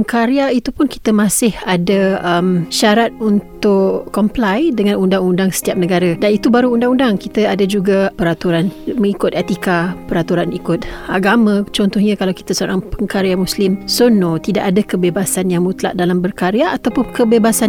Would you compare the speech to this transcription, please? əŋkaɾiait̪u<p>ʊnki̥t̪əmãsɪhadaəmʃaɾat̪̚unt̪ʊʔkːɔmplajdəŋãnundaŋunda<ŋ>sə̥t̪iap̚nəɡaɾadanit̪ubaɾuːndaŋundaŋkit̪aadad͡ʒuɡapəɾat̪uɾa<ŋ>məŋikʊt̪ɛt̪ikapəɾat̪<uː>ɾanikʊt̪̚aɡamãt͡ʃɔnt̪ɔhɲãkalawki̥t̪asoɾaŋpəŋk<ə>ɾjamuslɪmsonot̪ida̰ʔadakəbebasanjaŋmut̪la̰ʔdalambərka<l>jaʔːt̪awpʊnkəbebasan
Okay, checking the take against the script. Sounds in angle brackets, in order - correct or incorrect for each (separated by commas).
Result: correct, correct, incorrect, incorrect, incorrect, incorrect